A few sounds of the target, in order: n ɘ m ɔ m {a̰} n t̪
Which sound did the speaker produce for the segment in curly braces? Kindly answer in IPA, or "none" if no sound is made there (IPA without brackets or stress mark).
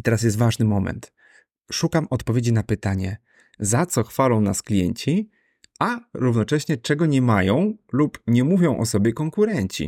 ɛ̰